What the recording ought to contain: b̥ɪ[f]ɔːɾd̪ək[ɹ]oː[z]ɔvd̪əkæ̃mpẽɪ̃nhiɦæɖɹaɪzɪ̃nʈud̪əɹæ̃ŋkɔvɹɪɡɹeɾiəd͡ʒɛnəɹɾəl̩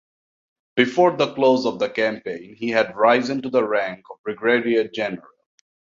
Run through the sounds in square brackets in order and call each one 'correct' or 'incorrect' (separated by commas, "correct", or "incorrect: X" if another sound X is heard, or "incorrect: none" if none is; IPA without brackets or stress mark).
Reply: correct, incorrect: l, correct